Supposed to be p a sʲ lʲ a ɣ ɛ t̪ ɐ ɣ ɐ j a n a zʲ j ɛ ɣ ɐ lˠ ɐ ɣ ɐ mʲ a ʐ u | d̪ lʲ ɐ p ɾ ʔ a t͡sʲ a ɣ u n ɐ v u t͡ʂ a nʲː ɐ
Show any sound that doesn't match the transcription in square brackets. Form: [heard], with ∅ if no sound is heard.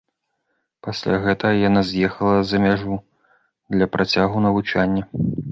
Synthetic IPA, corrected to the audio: p a sʲ lʲ a ɣ ɛ t̪ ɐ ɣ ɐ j a n a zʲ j ɛ [x] ɐ lˠ ɐ [z] ɐ mʲ a ʐ u | d̪ lʲ ɐ p ɾ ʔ a t͡sʲ a ɣ u n ɐ v u t͡ʂ a nʲː ɐ